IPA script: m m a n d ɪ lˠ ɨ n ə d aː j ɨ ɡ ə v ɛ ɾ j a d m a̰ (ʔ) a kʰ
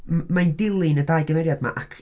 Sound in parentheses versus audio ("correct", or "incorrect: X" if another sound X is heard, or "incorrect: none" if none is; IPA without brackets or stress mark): correct